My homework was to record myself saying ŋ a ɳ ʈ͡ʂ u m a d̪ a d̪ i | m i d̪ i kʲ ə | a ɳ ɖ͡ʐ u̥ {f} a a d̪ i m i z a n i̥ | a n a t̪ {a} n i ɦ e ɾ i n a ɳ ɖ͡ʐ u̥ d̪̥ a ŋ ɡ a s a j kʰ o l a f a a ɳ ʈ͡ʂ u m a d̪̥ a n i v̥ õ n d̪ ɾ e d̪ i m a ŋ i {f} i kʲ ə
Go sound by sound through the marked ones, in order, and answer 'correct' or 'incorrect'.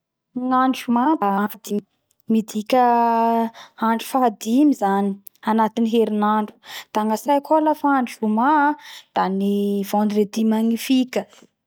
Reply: correct, incorrect: i, correct

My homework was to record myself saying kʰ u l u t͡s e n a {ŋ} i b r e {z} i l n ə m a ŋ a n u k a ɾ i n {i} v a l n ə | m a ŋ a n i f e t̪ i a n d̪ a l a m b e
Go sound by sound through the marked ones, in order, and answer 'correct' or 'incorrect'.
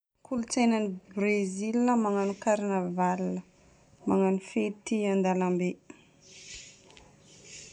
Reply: incorrect: n, correct, incorrect: a

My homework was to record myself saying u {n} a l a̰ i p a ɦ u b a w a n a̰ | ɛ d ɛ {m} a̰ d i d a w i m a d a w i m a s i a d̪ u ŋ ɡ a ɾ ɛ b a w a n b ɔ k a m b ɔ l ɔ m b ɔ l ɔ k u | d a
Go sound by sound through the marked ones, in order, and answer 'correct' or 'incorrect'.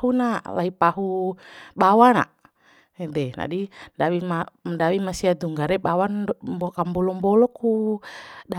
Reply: correct, incorrect: n

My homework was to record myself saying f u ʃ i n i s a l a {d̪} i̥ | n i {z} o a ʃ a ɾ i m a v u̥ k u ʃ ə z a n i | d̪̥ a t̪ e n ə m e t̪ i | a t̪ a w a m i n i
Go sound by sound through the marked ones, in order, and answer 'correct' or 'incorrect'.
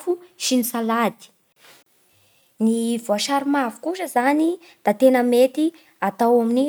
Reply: correct, incorrect: v

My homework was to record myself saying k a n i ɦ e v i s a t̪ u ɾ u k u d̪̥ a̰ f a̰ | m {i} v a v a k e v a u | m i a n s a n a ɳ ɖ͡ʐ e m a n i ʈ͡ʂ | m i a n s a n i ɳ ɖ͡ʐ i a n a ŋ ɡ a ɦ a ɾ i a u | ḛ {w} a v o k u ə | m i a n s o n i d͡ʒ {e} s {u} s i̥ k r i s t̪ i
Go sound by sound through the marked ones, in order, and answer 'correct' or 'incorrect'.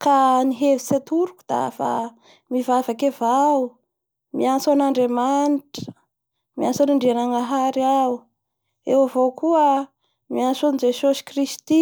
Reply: correct, correct, correct, incorrect: o

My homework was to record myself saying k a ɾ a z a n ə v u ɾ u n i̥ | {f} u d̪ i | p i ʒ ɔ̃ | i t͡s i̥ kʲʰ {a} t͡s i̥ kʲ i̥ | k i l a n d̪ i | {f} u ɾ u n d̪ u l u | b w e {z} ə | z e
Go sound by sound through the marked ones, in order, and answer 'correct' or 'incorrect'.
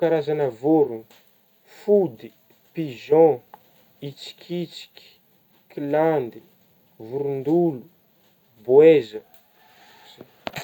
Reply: correct, incorrect: i, incorrect: v, correct

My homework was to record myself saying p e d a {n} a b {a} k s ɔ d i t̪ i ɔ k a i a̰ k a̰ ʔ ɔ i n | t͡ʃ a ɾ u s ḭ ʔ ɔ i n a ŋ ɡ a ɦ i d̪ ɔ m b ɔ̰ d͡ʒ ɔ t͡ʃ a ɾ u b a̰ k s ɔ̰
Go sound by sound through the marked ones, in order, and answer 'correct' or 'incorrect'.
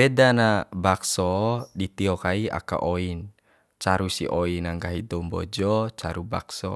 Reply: correct, correct

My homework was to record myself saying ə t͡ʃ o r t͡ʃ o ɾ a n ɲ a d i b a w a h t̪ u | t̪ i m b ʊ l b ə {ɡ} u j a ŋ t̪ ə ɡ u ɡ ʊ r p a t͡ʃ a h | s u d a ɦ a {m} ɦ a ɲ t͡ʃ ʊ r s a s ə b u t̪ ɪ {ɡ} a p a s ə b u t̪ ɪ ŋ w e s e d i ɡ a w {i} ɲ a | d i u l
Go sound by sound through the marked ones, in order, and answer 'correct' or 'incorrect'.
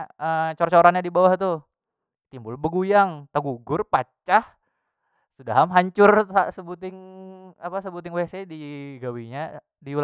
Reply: correct, correct, incorrect: ŋ, correct

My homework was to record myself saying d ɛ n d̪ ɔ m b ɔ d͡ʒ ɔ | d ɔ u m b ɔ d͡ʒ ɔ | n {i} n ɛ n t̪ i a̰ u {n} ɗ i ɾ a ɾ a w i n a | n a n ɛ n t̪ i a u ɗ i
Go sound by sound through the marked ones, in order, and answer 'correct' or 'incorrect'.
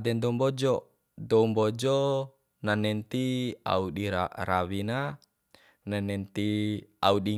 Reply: incorrect: a, incorrect: none

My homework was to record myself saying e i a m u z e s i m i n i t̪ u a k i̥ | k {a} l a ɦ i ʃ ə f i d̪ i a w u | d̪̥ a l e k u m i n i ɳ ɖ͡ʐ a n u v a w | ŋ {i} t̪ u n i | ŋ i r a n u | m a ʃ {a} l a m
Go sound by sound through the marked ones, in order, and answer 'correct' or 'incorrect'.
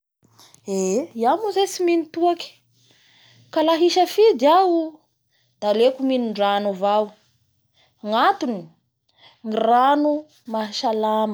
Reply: correct, incorrect: a, correct

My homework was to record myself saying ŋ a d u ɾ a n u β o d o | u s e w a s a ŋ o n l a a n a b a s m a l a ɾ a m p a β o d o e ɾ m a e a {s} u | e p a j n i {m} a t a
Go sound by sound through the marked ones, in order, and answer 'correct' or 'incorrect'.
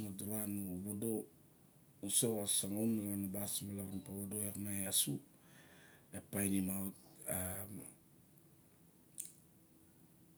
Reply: correct, correct

